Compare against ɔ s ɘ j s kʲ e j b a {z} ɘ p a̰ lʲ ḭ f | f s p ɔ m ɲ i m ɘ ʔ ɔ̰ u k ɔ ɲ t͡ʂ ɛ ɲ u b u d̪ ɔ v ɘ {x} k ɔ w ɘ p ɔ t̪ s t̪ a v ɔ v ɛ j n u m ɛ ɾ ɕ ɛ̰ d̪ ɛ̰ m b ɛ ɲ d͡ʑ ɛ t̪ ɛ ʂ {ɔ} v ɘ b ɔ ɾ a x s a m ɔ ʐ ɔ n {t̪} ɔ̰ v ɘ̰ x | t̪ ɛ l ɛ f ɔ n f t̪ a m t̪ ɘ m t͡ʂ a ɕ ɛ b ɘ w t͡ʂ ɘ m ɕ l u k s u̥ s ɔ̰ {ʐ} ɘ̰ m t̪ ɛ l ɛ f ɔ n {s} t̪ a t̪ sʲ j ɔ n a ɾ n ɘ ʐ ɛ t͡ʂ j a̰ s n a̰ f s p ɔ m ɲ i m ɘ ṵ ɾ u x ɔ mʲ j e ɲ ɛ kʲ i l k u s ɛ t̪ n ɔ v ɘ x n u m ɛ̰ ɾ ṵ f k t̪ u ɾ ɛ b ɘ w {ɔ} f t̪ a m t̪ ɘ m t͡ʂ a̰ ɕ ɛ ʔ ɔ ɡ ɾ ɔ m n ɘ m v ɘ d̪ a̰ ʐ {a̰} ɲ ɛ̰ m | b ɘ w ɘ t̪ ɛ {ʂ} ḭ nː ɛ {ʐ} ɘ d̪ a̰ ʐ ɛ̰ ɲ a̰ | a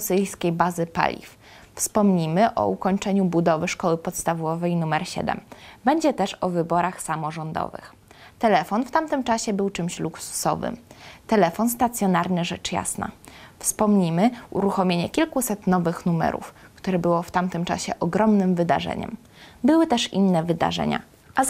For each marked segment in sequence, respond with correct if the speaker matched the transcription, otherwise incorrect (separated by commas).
correct, incorrect, correct, incorrect, incorrect, correct, correct, incorrect, correct, incorrect